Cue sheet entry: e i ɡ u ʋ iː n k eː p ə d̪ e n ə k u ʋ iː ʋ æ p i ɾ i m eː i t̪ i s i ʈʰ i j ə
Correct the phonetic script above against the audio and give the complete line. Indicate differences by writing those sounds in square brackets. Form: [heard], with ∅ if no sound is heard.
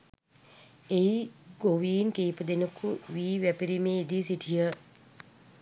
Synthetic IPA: e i ɡ [o] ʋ iː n k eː p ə d̪ e n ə k u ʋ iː ʋ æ p i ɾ i m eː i [d̪] i s i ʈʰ i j ə